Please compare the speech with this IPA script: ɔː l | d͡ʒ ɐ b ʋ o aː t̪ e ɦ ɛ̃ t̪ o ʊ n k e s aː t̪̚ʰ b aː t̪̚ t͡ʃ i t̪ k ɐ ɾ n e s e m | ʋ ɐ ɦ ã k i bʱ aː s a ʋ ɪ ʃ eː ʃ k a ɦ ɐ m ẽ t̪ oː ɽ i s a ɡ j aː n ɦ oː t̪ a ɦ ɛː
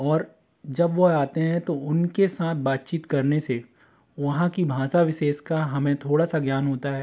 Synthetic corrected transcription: ɔː ɾ | d͡ʒ ɐ b ʋ o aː t̪ e ɦ ɛ̃ t̪ o ʊ n k e s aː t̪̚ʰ b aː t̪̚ t͡ʃ iː t̪ k ɐ ɾ n e s e | ʋ ɐ ɦ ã k i bʱ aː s a ʋ ɪ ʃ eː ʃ k a ɦ ɐ m ẽ t̪ʰ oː ɽ a s a ɡ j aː n ɦ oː t̪ a ɦ ɛː